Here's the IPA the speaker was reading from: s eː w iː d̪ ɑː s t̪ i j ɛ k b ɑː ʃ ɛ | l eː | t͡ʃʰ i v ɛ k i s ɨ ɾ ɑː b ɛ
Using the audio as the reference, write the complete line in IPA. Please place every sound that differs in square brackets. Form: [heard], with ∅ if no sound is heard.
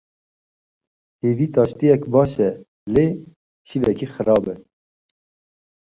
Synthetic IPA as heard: [h] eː [v] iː [t̪] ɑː [ʃ] t̪ i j ɛ k b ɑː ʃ ɛ | l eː | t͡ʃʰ i v ɛ k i [x] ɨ ɾ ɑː b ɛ